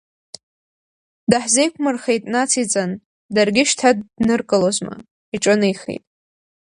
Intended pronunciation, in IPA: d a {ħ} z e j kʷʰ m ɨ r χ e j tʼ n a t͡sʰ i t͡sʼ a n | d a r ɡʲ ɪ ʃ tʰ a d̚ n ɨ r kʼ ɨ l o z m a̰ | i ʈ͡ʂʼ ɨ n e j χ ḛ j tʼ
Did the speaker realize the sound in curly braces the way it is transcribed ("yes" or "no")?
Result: yes